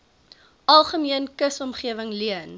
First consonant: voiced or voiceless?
voiced